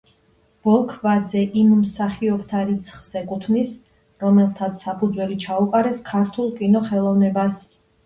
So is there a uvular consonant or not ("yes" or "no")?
yes